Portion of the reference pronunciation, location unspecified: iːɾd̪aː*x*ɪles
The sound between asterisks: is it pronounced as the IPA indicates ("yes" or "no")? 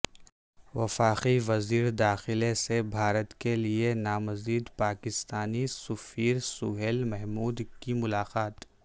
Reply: yes